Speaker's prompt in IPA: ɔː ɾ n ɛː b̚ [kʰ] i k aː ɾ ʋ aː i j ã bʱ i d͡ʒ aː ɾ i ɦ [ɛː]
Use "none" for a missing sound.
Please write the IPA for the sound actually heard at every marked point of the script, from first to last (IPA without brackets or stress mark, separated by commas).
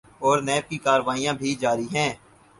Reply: k, ɛ̃ː